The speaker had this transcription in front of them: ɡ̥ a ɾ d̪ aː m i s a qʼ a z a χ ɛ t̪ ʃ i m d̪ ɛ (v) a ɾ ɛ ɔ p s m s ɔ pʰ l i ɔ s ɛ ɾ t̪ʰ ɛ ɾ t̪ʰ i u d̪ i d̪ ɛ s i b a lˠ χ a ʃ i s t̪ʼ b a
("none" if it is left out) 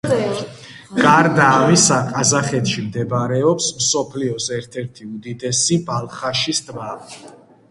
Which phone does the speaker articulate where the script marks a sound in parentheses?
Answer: b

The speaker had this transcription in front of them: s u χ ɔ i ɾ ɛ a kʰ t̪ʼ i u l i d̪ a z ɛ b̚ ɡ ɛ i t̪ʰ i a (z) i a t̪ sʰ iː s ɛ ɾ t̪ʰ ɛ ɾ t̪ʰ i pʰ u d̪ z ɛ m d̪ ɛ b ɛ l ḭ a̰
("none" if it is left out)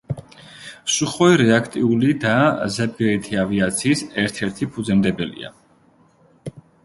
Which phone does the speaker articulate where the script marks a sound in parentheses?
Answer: v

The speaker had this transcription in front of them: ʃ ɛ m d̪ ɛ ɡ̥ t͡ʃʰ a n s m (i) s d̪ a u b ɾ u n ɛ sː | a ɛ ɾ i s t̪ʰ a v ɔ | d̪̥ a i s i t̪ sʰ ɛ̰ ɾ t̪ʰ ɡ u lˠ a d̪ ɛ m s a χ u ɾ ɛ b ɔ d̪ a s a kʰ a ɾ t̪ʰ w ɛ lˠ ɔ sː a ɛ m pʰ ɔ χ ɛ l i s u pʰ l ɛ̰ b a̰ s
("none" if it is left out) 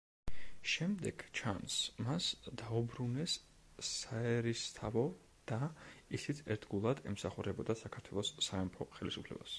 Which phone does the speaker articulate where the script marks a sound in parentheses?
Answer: a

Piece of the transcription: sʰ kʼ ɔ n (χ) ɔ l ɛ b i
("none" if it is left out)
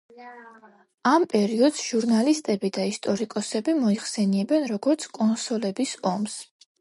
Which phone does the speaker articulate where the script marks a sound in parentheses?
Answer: s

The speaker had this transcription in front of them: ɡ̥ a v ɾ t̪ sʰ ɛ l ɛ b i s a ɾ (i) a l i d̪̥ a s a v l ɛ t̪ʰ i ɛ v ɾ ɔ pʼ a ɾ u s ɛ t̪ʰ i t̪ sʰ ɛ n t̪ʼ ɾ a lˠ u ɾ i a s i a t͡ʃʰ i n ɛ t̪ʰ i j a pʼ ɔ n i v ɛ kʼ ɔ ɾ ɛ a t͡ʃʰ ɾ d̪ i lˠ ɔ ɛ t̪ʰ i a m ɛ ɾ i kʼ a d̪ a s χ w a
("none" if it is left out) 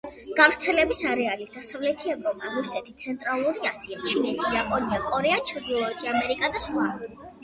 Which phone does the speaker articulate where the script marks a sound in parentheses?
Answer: ɛ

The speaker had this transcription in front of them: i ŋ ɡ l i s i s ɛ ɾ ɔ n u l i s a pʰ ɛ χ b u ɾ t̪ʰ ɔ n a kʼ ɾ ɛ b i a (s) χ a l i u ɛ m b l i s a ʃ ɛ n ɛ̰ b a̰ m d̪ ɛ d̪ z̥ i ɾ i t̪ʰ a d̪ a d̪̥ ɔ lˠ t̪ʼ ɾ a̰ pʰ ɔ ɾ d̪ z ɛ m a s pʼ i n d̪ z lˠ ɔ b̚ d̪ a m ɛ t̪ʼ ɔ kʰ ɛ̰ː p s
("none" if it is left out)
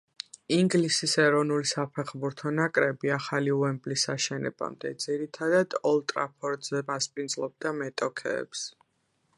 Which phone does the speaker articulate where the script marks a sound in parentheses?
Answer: none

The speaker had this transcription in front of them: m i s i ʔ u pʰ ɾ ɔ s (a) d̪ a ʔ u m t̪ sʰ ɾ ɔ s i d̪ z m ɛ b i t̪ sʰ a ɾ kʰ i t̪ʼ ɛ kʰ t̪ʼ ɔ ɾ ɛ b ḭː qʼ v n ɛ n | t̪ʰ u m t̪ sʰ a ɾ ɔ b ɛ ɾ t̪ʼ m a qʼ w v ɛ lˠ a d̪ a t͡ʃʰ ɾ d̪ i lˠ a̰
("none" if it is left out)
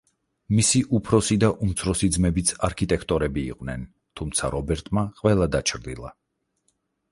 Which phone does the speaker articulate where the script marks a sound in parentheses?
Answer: i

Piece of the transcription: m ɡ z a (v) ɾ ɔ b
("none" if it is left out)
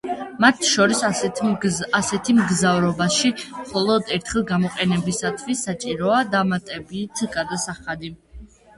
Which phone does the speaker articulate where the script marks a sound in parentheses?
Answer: v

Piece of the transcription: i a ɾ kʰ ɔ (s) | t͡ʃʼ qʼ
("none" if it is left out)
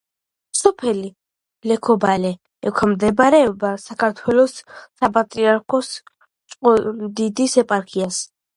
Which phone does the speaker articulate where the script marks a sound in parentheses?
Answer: s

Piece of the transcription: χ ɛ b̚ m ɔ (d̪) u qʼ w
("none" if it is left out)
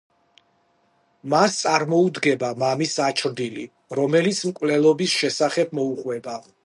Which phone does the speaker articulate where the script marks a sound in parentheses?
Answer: none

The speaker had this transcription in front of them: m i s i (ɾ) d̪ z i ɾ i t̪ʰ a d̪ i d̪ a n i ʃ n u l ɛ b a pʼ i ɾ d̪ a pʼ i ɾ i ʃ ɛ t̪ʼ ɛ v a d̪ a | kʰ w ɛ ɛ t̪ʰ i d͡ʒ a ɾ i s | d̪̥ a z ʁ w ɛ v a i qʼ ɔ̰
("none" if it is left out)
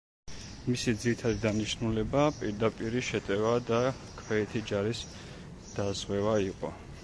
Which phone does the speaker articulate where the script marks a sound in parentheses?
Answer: none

